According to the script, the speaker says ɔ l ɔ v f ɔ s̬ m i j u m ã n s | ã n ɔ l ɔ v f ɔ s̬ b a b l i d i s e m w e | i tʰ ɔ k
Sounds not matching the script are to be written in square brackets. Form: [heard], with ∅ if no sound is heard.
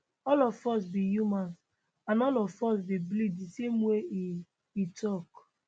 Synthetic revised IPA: ɔ l ɔ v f ɔ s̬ [b] i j u m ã n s | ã n ɔ l ɔ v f ɔ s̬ b [i] b l i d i s e m w e | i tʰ ɔ k